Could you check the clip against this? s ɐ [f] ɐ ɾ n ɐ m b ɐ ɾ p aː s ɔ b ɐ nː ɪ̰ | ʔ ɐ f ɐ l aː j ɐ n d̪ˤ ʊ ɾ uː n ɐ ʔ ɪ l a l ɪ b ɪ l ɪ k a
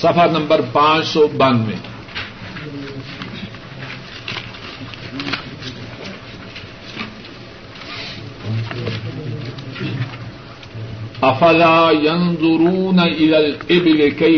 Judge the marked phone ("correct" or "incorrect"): correct